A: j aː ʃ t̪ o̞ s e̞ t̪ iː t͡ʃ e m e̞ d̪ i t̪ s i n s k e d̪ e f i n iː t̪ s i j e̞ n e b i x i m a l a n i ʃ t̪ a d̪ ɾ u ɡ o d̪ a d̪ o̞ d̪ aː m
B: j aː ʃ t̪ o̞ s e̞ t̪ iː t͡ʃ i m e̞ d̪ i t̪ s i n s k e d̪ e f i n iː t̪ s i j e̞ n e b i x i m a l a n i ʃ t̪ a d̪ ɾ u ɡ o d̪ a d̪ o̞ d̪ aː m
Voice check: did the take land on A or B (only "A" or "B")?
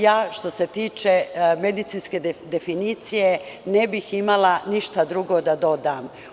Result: A